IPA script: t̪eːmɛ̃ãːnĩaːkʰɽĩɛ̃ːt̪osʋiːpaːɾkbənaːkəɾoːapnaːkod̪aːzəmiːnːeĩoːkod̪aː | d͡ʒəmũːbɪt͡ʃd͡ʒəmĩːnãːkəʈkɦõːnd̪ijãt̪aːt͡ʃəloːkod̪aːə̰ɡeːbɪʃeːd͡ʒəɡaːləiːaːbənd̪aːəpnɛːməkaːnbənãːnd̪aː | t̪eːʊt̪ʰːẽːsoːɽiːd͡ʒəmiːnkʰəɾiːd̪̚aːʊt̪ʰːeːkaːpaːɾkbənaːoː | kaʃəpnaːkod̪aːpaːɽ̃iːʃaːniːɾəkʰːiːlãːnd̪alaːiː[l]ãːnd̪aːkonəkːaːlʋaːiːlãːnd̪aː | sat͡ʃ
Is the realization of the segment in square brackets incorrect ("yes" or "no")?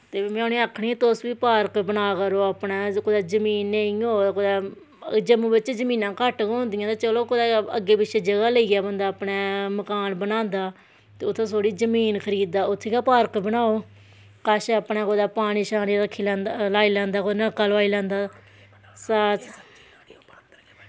no